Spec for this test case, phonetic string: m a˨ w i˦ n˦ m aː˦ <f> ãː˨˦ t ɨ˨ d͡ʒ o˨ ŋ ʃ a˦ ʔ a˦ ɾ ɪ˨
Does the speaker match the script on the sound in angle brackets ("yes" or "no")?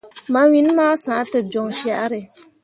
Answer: no